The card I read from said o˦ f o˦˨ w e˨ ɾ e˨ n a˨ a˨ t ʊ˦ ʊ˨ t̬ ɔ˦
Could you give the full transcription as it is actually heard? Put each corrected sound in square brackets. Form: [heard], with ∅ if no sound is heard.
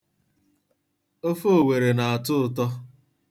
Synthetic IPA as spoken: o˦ f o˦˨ w e˨ ɾ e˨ n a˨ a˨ t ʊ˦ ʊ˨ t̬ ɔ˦